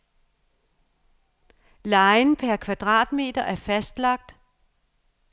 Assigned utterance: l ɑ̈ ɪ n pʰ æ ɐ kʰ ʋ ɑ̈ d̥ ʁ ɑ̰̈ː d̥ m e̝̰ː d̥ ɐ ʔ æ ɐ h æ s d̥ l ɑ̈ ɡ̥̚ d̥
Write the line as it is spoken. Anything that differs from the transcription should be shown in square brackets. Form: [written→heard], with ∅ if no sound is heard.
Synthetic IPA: l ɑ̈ ɪ n pʰ æ ɐ kʰ ʋ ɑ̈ d̥ ʁ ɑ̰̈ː d̥ m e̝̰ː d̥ ɐ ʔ æ ɐ [h→f] æ s d̥ l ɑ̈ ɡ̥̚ d̥